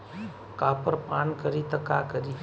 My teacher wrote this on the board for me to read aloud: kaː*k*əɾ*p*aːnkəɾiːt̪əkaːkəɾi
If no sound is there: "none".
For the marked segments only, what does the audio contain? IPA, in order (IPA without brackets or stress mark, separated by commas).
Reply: p, p